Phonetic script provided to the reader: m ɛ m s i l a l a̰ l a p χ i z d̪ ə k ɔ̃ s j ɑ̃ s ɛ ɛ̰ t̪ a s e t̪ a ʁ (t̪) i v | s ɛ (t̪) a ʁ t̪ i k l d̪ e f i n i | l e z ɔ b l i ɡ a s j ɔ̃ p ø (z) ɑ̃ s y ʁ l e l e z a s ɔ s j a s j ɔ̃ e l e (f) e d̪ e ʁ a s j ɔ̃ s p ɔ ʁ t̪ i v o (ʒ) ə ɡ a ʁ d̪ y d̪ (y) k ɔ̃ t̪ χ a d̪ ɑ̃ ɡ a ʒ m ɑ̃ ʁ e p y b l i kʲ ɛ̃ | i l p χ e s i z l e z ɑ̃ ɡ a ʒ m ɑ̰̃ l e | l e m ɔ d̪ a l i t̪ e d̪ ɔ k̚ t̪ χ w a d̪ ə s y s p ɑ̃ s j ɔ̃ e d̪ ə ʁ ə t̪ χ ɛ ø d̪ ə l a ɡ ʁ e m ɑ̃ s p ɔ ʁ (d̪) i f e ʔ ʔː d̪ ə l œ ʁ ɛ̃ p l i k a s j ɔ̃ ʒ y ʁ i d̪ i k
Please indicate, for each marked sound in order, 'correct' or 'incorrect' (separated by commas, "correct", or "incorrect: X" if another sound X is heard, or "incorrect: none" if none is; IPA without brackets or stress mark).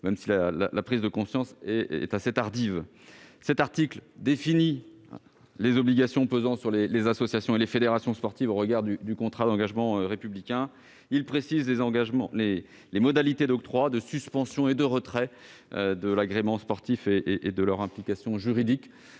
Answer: incorrect: d̪, correct, correct, correct, incorrect: ʁ, correct, incorrect: t̪